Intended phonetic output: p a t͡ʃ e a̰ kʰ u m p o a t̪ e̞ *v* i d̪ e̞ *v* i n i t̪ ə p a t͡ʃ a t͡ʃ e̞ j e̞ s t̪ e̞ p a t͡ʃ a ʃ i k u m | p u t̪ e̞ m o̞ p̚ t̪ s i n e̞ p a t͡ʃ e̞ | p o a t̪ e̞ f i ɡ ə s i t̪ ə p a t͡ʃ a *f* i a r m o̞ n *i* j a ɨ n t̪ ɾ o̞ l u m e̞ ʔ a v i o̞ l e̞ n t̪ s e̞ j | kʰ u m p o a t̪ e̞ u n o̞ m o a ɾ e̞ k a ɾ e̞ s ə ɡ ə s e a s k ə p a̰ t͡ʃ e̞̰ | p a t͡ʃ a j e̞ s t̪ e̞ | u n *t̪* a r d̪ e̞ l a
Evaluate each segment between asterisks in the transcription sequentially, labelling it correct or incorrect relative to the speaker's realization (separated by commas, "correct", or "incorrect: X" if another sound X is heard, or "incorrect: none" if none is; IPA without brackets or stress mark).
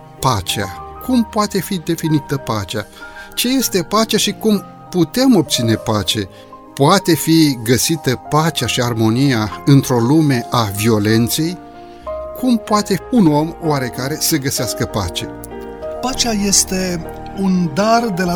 incorrect: f, incorrect: f, incorrect: ʃ, correct, incorrect: d̪